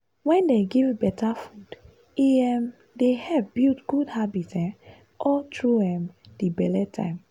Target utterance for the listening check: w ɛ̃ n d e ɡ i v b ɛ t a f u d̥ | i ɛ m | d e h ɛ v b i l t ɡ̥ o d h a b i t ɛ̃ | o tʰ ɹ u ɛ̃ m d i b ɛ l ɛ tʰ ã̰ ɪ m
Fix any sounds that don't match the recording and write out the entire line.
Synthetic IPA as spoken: w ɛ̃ n d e ɡ i v b ɛ t a f u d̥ | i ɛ m | d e h ɛ v b i l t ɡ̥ u d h a b i t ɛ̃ | ɔ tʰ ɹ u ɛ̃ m d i b ɛ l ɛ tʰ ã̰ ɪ m